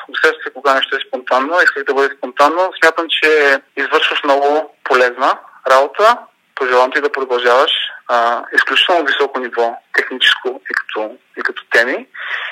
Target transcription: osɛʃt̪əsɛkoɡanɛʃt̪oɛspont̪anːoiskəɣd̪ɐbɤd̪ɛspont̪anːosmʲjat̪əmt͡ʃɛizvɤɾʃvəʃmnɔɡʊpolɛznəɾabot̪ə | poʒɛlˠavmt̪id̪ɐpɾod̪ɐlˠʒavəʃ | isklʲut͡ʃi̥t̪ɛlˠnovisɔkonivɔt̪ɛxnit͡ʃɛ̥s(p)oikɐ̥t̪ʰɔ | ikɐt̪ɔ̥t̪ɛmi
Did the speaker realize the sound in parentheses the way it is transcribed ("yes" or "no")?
no